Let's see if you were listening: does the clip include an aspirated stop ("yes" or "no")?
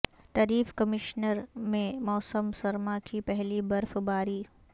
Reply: no